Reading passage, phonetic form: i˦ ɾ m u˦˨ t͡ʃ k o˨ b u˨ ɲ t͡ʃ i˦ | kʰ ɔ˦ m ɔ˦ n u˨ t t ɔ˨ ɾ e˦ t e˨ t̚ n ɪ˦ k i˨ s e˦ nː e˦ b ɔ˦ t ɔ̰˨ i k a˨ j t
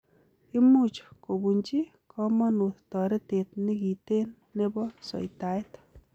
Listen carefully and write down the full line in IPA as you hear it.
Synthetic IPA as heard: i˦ m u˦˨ t͡ʃ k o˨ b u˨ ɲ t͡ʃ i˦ | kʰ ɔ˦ m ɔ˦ n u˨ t t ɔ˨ ɾ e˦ t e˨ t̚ n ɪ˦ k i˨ t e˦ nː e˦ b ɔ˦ s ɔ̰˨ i t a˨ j t

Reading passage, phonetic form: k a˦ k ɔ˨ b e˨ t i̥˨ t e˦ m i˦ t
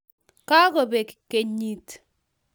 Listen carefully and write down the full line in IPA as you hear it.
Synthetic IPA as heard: k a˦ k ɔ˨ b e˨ k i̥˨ k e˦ ɲ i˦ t

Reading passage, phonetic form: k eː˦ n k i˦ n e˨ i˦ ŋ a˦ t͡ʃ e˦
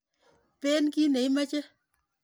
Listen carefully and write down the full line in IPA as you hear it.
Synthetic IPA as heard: p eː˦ n k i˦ n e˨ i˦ m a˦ t͡ʃ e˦

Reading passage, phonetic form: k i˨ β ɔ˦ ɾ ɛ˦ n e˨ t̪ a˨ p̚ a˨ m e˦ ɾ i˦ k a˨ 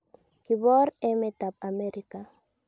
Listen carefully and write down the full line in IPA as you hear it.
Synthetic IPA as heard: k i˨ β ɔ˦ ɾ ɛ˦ m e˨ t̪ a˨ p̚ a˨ m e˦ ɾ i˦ k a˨

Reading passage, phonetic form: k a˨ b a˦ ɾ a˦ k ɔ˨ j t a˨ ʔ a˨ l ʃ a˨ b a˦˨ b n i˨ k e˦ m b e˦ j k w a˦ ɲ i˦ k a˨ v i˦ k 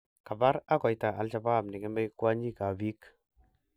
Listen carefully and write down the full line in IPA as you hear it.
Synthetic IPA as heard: k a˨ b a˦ ɾ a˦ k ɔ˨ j t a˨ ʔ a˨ l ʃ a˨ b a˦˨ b n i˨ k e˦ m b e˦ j k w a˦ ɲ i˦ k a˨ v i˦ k

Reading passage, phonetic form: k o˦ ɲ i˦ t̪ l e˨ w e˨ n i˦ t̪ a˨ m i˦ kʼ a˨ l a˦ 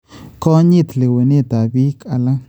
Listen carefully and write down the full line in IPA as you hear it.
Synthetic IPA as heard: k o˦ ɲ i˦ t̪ l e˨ w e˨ n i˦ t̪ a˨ b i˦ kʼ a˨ l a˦

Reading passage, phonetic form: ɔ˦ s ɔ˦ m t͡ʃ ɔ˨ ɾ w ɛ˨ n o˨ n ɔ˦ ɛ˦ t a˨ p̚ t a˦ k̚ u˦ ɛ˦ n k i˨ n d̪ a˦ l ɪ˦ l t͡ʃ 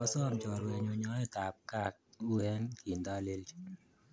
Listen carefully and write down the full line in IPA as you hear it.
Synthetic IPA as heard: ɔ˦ s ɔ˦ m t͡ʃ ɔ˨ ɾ w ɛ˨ ɲ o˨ ɲ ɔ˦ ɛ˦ t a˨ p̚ k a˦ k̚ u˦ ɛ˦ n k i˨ n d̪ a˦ l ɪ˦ l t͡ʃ

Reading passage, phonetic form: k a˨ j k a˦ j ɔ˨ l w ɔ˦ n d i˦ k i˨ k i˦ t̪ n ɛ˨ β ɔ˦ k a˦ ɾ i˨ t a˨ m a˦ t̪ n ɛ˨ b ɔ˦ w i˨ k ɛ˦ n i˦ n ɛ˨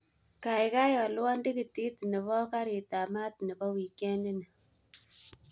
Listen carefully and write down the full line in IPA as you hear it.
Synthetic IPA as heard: k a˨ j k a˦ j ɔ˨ l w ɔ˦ n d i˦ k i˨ t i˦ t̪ n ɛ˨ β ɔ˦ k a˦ ɾ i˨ t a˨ m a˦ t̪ n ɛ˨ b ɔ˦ w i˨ k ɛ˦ n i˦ n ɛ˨

